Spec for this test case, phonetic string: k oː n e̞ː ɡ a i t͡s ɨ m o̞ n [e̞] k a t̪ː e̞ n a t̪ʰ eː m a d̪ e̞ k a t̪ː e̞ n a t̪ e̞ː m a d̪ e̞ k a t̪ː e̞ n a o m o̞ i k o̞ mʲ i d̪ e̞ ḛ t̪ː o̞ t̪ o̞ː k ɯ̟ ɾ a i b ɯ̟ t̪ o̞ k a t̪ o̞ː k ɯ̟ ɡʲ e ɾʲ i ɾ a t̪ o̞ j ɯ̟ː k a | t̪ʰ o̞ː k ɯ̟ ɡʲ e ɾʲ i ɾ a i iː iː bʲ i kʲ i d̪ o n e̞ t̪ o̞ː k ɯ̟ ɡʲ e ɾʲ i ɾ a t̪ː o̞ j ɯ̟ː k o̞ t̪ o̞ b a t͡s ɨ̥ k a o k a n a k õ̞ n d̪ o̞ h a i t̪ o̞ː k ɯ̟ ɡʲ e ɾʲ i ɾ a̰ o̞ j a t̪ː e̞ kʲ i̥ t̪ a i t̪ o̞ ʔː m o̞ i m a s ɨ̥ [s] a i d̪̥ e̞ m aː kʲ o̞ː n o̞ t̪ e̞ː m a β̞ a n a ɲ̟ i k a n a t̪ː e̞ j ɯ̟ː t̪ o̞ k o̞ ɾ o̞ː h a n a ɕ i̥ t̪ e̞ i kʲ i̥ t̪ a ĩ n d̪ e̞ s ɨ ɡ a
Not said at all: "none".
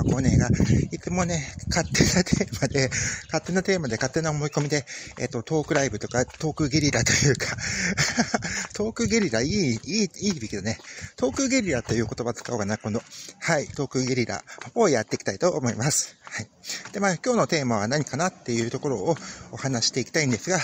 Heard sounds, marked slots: e̞, h

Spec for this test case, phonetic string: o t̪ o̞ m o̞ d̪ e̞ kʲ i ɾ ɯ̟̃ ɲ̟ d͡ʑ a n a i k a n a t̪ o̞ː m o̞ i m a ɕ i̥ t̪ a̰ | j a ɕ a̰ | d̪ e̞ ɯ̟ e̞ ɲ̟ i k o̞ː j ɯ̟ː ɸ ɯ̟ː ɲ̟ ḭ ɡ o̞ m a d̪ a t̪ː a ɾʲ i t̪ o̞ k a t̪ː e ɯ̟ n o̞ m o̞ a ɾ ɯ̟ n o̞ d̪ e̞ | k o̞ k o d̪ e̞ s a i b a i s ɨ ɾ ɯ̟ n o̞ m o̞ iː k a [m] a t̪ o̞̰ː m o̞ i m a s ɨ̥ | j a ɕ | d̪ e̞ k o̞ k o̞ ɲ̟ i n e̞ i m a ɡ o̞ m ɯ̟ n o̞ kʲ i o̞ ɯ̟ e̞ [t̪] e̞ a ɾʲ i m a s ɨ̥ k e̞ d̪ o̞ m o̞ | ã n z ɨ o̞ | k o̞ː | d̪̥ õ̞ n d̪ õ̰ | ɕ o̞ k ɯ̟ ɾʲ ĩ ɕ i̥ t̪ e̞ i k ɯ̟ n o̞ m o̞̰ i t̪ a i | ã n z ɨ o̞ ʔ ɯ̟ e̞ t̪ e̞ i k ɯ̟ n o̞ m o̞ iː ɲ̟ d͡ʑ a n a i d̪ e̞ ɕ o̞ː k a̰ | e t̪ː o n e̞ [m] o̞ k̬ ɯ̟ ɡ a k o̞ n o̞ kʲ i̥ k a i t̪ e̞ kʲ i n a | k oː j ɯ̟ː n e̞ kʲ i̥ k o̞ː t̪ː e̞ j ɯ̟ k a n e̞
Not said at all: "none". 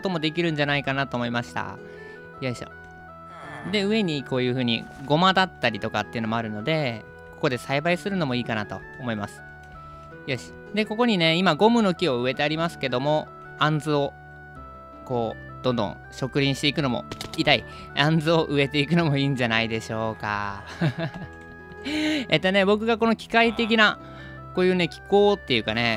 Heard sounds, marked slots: n, t̪, b

